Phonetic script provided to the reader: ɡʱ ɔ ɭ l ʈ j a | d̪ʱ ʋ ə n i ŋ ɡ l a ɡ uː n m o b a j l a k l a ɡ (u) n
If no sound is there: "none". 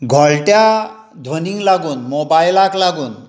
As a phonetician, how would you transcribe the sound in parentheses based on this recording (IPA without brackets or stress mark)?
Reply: uː